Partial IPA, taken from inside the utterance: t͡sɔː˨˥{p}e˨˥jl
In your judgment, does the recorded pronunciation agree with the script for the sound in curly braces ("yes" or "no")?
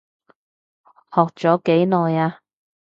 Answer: no